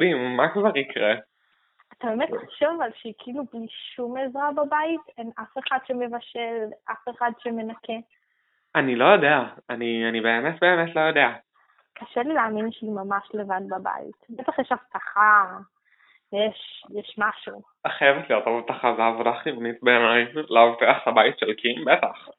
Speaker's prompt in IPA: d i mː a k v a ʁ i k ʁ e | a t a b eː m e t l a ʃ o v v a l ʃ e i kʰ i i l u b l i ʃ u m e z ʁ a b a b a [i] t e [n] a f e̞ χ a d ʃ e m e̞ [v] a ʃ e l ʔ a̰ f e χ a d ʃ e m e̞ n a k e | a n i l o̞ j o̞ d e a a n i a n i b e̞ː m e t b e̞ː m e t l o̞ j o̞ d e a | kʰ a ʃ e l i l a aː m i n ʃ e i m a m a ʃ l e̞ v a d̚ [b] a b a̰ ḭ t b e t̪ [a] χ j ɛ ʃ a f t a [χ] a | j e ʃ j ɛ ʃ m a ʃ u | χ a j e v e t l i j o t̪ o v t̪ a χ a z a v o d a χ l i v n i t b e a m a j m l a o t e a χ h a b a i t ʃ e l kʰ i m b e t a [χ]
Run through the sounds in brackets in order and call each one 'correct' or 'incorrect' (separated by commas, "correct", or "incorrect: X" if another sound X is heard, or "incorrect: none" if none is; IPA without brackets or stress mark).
correct, correct, correct, correct, correct, correct, correct